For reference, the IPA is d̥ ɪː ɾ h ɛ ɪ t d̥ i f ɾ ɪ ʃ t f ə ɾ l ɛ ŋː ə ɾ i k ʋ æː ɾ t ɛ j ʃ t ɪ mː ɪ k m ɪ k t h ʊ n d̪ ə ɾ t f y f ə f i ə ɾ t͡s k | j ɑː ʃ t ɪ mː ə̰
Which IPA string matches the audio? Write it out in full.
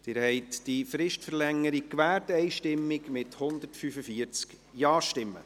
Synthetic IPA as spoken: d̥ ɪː ɾ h ɛ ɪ t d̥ i f ɾ ɪ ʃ t f ə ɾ l ɛ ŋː ə ɾ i k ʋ æː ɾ t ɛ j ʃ t ɪ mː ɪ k m ɪ t h ʊ n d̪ ə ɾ t f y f ə f i ə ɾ t͡s k | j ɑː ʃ t ɪ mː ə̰